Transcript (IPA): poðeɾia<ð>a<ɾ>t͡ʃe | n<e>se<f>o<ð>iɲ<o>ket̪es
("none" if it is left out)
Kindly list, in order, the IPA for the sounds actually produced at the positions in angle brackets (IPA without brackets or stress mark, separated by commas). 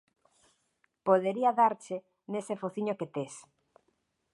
ð, ɾ, e, f, θ, o